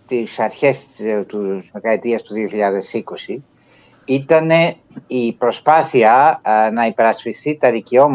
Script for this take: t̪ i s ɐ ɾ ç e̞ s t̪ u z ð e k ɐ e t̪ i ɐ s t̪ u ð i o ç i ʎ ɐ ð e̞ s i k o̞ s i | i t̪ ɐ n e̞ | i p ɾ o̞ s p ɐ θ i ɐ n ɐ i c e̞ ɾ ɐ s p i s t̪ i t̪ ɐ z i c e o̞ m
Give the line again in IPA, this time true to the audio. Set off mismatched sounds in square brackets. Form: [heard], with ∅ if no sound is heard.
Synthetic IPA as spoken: t̪ i s ɐ ɾ ç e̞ s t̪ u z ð e k ɐ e t̪ i ɐ s t̪ u ð i o ç i ʎ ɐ ð e̞ s i k o̞ s i | i t̪ ɐ n e̞ | i p ɾ o̞ s p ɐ θ i ɐ n ɐ i [p] e̞ ɾ ɐ s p i s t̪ i t̪ ɐ [ð] i c e o̞ m